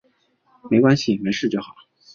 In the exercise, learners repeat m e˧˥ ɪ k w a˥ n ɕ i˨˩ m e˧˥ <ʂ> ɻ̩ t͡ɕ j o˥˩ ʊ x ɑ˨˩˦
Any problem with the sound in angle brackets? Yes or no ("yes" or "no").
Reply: no